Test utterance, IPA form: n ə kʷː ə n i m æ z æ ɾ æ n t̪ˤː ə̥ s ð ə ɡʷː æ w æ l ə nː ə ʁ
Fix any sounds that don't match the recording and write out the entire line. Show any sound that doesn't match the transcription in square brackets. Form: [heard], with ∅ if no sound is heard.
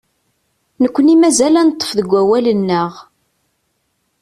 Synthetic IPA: n ə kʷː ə n i m æ z æ [l] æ n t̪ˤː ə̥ [f] ð ə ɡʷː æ w æ l ə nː ə ʁ